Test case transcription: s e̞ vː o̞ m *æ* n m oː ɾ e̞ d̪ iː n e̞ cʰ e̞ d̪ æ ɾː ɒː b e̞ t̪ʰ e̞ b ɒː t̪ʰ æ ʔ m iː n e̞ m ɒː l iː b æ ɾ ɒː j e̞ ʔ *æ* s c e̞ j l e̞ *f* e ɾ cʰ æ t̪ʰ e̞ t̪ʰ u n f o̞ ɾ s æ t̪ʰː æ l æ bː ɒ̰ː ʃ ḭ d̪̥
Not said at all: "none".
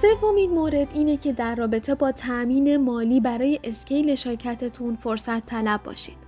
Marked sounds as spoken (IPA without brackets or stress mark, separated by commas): i, e, ʃ